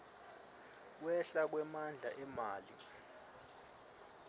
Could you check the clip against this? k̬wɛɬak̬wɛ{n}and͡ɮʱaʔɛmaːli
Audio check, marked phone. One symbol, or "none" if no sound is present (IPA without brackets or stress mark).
m